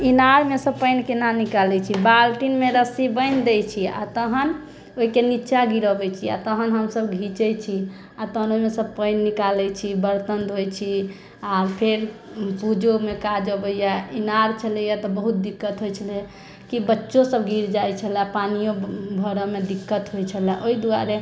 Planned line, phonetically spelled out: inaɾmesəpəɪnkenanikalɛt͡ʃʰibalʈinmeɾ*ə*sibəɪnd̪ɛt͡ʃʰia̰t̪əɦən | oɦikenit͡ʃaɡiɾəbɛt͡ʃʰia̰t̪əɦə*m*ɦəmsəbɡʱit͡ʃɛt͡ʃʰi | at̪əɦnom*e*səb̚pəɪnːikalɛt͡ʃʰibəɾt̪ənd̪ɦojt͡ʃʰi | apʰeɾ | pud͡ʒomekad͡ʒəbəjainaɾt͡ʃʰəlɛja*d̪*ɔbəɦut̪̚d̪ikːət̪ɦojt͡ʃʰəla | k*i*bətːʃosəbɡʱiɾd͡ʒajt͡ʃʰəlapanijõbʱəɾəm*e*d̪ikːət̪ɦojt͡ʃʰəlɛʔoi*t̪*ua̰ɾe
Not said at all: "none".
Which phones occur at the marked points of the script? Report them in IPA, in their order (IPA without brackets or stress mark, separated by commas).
ə, n, e, t̪, i, e, d̪